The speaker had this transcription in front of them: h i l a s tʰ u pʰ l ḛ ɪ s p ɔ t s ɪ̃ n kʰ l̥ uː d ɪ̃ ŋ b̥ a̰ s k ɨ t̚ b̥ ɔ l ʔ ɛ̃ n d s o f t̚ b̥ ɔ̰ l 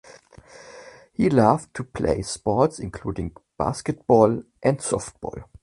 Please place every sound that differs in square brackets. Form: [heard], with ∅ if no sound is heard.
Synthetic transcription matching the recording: h i l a [f] tʰ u pʰ l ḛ ɪ s p ɔ t s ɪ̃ n kʰ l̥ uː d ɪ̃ ŋ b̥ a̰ s k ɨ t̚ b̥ ɔ l ʔ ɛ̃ n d s [ɔ] f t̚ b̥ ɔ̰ l